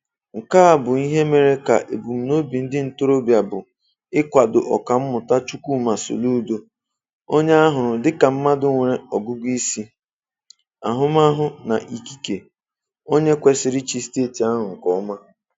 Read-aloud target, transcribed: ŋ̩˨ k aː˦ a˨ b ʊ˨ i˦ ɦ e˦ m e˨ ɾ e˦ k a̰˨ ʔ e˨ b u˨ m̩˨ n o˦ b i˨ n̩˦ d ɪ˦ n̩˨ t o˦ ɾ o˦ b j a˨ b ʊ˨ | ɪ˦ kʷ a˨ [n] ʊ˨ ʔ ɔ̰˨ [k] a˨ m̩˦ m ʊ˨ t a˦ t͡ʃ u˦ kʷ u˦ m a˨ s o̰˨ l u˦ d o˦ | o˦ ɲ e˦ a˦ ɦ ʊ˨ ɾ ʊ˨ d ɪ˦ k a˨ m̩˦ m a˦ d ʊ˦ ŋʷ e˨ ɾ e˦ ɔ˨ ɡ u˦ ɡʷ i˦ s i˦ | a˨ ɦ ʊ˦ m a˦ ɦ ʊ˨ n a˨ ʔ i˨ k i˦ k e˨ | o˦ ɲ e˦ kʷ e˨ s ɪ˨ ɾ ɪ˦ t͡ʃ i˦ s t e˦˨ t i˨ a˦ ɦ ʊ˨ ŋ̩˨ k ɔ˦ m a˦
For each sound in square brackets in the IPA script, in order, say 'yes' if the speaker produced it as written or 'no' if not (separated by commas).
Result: no, yes